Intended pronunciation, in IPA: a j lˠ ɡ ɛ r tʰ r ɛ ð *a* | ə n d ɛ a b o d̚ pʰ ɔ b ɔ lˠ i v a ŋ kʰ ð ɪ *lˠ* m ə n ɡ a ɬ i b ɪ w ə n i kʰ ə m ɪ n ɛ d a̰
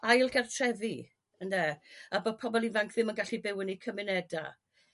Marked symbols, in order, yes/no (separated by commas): no, no